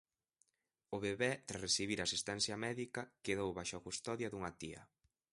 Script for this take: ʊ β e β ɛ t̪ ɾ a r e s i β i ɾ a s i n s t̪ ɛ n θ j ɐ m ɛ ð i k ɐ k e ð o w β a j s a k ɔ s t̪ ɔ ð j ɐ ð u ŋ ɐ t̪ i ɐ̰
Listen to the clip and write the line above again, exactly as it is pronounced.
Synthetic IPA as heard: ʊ β e β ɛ t̪ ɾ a r e s i β i ɾ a s i s t̪ ɛ n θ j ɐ m ɛ ð i k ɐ k e ð o w β a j ʃ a k u s t̪ ɔ ð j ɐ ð u ŋ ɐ t̪ i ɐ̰